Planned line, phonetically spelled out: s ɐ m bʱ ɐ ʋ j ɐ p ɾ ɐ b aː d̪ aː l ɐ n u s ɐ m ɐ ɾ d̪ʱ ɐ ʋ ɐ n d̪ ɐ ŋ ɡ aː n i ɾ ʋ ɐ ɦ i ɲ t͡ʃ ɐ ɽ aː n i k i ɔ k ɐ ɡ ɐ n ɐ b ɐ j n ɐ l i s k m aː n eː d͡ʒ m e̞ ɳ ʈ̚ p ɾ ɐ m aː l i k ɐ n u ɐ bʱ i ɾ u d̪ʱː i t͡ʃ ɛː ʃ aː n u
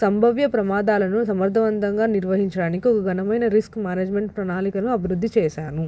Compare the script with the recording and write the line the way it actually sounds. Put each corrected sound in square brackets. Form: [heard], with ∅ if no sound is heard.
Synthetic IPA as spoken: s ɐ m bʱ ɐ ʋ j ɐ p ɾ ɐ [m] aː d̪ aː l ɐ n u s ɐ m ɐ ɾ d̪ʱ ɐ ʋ ɐ n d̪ ɐ ŋ ɡ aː n i ɾ ʋ ɐ ɦ i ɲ t͡ʃ ɐ ɽ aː n i k i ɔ k ɐ ɡ ɐ n ɐ [m] ɐ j n ɐ [ɾ] i s k m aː n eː d͡ʒ m e̞ ɳ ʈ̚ p ɾ ɐ [n] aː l i k ɐ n u ɐ bʱ i ɾ u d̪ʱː i t͡ʃ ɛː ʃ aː n u